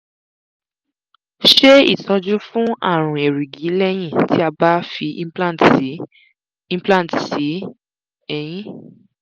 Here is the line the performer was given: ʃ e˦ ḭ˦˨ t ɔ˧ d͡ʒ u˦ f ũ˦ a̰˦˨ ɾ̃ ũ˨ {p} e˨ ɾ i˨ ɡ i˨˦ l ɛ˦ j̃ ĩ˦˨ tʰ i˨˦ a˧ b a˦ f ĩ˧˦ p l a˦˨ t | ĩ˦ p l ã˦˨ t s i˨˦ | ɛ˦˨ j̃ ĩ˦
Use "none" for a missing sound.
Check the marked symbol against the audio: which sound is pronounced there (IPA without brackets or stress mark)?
none